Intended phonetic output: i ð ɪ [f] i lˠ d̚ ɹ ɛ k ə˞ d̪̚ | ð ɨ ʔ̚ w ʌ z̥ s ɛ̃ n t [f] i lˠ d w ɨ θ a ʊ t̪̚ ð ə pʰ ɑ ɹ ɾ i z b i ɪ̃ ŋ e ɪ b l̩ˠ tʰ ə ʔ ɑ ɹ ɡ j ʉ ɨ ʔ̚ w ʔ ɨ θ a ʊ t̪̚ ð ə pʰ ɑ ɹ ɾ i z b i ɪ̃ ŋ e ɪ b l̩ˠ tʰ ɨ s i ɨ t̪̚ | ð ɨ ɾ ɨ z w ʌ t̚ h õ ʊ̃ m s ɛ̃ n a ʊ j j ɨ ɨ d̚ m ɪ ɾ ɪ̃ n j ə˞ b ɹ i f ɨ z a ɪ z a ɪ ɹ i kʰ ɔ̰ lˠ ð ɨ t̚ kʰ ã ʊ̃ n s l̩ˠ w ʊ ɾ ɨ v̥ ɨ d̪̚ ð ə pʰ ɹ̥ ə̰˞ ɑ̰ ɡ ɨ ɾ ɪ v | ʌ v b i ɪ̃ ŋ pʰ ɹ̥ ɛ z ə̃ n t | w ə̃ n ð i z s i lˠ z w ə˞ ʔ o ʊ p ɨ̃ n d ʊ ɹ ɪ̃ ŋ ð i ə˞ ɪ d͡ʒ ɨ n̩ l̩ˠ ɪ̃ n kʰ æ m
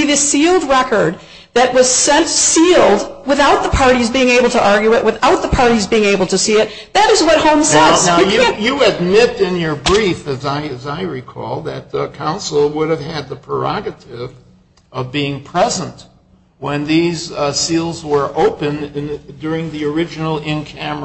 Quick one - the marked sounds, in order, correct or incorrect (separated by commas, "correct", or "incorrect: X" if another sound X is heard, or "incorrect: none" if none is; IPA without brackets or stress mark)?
incorrect: s, incorrect: s